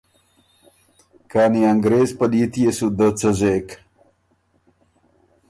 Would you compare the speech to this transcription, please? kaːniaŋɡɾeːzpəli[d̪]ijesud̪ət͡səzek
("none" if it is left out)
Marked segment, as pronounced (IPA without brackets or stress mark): t̪